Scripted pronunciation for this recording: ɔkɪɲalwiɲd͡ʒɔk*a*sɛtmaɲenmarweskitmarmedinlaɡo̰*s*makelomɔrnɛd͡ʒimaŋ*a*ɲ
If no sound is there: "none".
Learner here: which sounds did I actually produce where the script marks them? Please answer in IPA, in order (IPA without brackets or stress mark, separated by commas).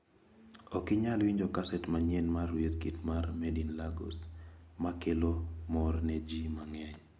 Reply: a, s, ɛ